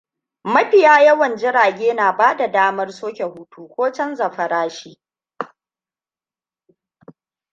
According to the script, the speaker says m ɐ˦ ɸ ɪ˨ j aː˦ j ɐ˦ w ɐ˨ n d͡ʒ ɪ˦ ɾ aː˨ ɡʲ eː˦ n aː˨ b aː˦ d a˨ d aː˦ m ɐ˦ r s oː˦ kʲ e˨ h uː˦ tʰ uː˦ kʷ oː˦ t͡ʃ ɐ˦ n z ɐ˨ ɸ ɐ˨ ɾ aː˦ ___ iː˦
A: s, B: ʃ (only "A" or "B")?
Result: B